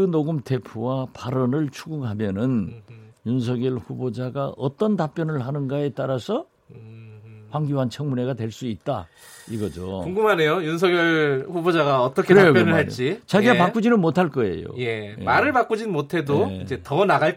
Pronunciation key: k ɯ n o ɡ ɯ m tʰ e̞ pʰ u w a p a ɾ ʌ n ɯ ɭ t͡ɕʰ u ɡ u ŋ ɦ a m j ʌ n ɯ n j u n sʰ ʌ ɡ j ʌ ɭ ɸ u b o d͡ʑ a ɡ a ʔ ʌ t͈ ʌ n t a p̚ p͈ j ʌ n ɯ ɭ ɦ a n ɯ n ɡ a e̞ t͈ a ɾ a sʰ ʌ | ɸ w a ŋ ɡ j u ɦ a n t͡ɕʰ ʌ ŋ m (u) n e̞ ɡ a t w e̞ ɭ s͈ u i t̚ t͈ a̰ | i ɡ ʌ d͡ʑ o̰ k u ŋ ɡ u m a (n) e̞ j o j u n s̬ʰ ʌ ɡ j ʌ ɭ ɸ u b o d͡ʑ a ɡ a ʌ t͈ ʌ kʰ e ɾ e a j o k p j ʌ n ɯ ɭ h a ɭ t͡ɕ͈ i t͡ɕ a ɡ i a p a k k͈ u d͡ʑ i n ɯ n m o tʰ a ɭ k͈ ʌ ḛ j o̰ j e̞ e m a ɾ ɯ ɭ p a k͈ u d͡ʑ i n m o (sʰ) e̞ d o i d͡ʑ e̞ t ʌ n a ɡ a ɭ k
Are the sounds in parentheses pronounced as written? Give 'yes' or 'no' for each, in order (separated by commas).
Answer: yes, yes, no